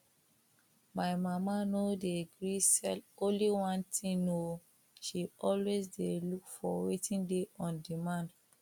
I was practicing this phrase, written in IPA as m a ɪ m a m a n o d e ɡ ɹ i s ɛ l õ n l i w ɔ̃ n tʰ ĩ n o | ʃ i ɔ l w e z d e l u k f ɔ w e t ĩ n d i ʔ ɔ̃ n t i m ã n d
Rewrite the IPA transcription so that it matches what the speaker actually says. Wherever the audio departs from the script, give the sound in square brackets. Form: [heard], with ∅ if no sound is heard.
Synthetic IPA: m a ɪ m a m a n o d e ɡ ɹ i s ɛ l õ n l i w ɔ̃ n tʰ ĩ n o | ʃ i ɔ l w e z d e l u k f ɔ w e t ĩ n d [e] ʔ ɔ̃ n [d] i m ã n d